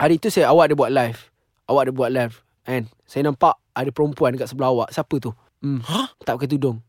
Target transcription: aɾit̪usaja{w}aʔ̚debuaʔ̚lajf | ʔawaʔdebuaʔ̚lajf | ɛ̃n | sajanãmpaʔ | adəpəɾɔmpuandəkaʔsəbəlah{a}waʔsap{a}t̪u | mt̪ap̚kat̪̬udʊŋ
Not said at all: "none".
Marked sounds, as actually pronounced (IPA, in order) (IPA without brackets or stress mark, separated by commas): w, a, ə